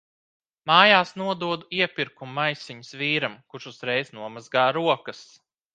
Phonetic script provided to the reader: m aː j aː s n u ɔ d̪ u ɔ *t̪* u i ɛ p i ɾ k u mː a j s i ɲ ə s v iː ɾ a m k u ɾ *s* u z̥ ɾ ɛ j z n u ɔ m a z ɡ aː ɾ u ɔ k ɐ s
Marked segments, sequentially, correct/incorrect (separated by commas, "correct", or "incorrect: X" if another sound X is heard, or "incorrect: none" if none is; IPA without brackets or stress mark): incorrect: d̪, incorrect: ʃ